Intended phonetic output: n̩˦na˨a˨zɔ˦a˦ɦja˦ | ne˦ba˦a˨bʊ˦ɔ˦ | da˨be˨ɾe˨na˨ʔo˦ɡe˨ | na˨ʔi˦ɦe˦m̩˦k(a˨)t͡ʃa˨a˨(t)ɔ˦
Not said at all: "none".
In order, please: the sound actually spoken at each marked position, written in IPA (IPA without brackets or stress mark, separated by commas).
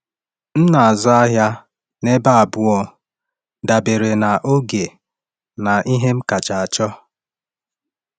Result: a˨, t͡ʃ